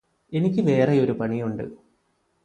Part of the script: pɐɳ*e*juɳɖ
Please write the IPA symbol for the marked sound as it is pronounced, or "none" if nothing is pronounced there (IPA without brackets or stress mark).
i